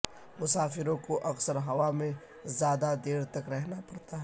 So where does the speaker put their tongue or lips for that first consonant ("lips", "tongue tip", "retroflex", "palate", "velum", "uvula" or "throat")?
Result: lips